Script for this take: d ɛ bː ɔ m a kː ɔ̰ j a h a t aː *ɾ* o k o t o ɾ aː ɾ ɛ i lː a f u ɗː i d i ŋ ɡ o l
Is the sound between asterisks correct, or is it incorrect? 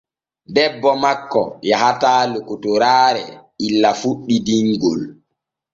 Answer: incorrect